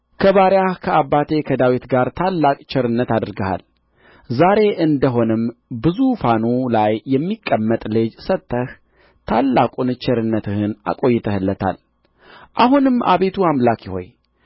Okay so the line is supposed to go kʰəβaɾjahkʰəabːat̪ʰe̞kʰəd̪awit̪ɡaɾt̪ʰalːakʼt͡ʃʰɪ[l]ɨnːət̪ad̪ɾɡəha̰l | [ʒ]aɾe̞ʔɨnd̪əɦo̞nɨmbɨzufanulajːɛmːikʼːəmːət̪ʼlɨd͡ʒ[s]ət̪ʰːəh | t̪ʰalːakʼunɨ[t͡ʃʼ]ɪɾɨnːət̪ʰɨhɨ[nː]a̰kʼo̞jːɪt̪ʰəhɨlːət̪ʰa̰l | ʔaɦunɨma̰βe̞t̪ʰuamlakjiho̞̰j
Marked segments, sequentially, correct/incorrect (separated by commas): incorrect, incorrect, correct, incorrect, incorrect